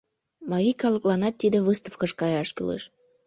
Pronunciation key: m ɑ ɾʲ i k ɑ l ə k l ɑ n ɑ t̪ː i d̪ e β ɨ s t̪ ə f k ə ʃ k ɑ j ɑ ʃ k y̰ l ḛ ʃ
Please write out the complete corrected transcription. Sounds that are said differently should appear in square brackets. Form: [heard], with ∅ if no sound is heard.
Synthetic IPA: m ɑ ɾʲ i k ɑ l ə k l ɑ n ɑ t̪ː i d̪ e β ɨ s t̪ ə f k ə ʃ k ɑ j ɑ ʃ k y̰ l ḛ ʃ